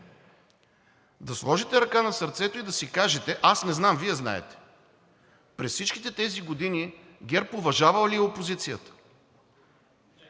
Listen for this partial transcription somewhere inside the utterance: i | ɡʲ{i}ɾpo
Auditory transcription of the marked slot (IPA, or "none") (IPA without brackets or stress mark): ɛ